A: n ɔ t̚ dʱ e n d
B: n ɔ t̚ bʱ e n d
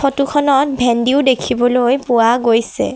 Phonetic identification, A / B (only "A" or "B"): B